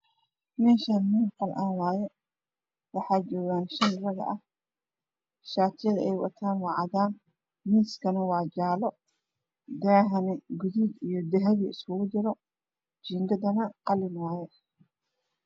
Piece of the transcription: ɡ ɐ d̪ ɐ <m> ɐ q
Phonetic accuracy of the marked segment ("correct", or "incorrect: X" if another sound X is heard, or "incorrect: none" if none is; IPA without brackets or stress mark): incorrect: n